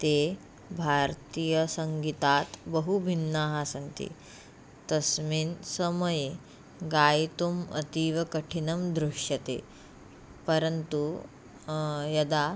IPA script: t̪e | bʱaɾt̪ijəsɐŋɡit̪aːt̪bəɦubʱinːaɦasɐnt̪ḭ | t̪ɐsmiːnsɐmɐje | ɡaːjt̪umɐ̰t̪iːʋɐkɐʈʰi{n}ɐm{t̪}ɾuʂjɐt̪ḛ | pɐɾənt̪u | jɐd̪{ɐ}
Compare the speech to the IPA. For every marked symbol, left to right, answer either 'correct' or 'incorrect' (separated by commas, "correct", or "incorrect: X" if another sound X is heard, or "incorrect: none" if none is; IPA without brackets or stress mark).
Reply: correct, incorrect: d̪, incorrect: a